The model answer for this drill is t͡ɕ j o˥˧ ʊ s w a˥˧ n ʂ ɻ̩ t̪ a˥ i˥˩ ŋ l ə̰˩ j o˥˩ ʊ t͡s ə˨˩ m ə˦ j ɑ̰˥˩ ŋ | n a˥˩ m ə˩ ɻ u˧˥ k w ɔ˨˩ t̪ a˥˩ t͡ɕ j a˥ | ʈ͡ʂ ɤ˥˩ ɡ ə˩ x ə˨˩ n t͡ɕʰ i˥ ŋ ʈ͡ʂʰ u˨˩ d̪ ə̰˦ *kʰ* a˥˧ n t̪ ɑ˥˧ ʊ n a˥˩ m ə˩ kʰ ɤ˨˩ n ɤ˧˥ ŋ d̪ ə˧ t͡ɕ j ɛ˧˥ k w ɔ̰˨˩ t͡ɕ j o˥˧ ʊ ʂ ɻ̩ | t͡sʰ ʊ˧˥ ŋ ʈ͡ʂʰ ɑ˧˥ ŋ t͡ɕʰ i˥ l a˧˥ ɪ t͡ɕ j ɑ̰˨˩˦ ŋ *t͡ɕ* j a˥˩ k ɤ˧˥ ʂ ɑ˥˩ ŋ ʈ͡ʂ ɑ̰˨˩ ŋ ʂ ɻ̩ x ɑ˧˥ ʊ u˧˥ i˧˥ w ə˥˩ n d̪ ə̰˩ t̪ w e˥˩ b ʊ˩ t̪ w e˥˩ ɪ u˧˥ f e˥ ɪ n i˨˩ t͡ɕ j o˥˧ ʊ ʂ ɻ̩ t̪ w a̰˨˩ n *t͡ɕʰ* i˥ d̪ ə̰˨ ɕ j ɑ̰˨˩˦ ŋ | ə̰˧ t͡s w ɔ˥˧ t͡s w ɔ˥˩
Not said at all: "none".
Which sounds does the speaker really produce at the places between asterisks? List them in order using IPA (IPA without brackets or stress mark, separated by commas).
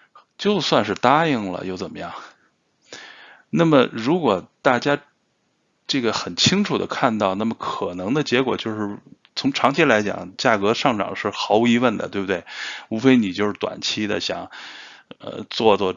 kʰ, t͡ɕ, t͡ɕʰ